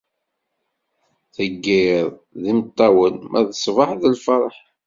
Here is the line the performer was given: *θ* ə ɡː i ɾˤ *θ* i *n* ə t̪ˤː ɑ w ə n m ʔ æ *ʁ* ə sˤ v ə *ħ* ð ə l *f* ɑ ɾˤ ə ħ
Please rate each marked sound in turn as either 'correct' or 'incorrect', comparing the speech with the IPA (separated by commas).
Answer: correct, incorrect, incorrect, incorrect, correct, correct